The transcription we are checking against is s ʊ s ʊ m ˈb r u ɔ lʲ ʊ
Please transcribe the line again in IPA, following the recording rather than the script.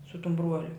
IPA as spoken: s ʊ t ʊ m ˈb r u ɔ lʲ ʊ